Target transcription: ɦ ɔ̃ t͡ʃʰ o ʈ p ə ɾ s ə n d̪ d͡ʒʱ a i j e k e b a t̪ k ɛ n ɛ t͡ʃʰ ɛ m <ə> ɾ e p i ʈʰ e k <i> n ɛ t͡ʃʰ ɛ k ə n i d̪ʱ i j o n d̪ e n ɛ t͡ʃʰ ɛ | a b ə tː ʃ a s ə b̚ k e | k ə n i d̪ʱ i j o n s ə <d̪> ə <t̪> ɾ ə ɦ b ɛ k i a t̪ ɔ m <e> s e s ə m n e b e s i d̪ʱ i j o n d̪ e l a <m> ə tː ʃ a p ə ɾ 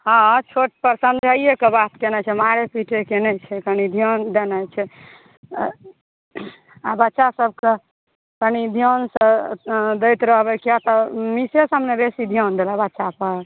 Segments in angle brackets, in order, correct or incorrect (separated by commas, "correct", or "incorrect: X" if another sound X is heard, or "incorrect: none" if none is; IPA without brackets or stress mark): incorrect: a, incorrect: e, correct, correct, incorrect: i, incorrect: b